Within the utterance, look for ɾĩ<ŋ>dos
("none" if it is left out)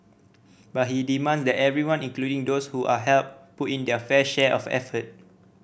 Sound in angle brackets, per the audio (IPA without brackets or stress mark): ŋ